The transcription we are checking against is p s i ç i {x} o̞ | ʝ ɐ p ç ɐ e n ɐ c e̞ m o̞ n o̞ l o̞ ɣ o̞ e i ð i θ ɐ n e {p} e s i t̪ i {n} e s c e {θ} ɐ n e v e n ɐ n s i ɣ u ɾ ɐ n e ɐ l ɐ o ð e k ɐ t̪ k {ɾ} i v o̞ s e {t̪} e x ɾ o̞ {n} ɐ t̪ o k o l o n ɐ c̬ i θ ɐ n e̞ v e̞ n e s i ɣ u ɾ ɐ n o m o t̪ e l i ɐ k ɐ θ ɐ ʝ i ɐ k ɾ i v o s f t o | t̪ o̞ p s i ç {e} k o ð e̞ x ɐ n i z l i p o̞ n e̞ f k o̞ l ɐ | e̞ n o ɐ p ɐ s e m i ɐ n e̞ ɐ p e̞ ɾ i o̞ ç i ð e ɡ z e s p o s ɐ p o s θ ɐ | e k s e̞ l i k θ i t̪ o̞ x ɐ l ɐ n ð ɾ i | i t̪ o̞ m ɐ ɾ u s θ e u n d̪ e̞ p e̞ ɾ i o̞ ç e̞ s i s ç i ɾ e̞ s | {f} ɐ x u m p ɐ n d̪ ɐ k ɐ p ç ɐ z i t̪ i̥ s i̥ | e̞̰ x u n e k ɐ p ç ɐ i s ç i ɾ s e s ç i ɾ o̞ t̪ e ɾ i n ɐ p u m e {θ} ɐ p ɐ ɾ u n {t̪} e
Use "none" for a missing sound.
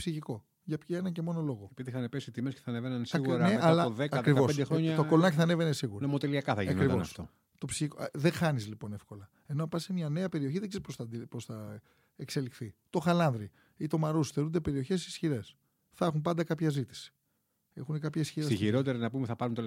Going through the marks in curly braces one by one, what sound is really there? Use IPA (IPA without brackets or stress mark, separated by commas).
k, p, m, θ, ɾ, d̪, ɲ, i, θ, θ, t̪